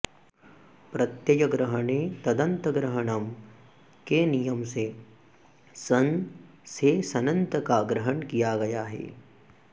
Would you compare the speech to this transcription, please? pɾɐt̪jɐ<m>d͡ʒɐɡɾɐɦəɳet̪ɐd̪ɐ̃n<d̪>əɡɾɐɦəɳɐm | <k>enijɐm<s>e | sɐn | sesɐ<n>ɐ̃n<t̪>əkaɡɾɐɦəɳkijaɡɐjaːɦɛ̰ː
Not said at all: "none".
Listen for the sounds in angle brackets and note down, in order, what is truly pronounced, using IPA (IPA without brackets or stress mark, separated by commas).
none, t̪, k, s, n, t̪